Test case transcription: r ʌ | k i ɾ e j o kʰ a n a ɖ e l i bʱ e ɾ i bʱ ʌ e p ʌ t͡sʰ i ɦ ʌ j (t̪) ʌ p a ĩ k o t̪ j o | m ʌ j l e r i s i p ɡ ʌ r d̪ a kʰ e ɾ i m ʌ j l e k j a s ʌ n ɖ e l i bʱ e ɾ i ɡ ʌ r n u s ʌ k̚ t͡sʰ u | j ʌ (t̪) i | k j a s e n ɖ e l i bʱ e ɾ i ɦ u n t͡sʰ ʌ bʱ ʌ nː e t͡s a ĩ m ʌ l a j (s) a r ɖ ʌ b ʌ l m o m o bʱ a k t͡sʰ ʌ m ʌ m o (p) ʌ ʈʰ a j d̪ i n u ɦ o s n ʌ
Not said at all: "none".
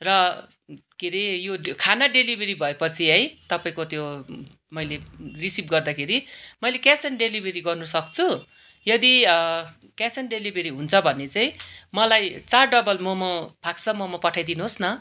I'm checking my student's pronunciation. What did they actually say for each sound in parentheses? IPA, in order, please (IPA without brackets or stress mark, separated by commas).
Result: t̪, d̪, t͡s, p